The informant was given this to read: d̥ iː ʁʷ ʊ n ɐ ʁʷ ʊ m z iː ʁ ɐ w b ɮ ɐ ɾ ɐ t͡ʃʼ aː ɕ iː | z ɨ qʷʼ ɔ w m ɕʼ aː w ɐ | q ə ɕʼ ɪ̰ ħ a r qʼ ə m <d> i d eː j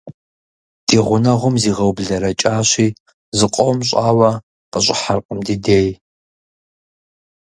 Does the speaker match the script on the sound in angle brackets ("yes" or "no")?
yes